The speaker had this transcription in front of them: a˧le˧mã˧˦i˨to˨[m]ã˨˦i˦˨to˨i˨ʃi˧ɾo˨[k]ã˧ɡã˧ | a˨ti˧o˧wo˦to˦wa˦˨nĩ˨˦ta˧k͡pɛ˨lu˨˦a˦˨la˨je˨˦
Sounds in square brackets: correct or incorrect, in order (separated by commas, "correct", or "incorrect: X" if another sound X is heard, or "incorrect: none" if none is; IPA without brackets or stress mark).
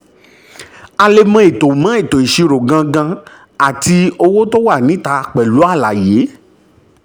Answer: correct, incorrect: ɡ